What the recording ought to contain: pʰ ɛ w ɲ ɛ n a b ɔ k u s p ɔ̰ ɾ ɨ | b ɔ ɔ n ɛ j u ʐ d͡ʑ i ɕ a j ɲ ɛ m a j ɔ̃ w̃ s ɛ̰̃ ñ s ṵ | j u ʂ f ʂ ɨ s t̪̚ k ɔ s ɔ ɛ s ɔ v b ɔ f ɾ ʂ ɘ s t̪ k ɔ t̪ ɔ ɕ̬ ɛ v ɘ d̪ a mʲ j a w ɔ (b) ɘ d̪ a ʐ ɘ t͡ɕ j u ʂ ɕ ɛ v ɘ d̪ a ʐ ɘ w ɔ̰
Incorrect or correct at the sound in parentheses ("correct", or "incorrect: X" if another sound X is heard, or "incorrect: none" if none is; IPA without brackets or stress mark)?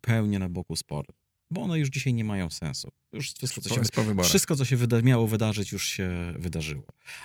incorrect: v